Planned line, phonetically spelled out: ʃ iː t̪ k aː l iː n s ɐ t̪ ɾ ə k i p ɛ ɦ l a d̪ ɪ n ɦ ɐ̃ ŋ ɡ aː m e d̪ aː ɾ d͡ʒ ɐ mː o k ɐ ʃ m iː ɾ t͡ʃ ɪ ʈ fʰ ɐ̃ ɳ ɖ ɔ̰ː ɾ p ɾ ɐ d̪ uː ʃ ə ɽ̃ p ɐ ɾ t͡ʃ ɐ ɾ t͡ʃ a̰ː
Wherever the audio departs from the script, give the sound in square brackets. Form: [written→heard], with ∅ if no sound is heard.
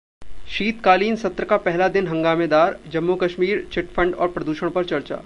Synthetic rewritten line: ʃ iː t̪ k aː l iː n s ɐ t̪ ɾ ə k [i→a] p ɛ ɦ l a d̪ ɪ n ɦ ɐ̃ ŋ ɡ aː m e d̪ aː ɾ d͡ʒ ɐ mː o k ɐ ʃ m iː ɾ t͡ʃ ɪ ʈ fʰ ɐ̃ ɳ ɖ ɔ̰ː ɾ p ɾ ɐ d̪ uː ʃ ə ɽ̃ p ɐ ɾ t͡ʃ ɐ ɾ t͡ʃ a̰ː

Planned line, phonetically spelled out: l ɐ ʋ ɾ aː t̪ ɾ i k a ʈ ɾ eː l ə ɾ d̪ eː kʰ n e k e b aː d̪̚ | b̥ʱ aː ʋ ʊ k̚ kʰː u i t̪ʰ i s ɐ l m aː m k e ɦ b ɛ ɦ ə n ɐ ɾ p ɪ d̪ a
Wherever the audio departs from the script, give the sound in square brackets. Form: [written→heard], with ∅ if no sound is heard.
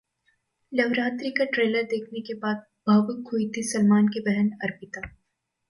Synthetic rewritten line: l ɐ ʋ ɾ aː t̪ ɾ i k a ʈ ɾ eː l ə ɾ d̪ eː kʰ n e k e b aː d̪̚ | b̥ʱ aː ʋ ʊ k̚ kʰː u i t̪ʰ i s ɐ l m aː [m→n] k e [ɦ→∅] b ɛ ɦ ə n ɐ ɾ p ɪ [d̪→t̪] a

